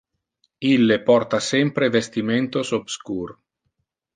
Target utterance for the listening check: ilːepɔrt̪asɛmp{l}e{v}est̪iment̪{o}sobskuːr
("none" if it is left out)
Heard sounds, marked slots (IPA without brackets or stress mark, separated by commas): ɾ, v, o